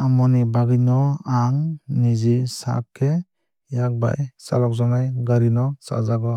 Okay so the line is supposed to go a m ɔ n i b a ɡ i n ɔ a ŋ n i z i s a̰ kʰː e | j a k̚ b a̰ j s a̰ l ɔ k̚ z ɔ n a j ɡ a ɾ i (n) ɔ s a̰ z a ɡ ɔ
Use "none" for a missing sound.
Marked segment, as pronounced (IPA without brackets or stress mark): n